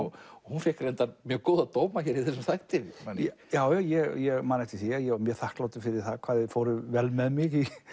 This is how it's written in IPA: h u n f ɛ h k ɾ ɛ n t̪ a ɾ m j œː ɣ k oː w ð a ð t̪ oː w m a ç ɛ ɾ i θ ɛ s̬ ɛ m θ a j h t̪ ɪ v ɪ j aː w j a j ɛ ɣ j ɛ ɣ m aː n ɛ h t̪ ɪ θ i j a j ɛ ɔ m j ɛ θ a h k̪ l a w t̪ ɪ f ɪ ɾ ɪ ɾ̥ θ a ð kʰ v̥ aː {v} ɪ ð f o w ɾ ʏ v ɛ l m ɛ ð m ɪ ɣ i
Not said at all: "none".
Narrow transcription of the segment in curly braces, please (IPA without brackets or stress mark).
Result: ð